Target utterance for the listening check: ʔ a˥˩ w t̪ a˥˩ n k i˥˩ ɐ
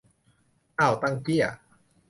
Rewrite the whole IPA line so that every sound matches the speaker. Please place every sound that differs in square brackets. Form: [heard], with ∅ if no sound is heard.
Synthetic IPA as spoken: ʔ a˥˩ w t̪ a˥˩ [ŋ] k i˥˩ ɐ